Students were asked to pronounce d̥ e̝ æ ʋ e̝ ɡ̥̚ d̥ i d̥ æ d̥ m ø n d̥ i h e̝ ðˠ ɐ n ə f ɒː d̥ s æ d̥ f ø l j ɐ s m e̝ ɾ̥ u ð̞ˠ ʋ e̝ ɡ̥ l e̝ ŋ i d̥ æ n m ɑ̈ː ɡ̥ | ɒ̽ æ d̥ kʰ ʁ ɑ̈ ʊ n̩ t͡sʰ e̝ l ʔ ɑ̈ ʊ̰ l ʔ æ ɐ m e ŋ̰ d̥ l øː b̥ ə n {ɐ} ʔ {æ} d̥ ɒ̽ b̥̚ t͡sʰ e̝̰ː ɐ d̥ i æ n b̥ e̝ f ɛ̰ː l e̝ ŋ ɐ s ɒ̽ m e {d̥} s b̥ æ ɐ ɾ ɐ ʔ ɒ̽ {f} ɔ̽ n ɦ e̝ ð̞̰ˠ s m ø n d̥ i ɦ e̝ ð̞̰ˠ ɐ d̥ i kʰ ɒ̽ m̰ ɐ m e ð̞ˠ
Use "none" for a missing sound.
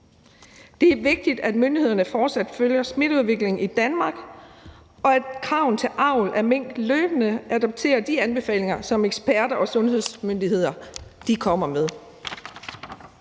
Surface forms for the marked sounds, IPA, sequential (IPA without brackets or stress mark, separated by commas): ə, æ, ɡ̥, s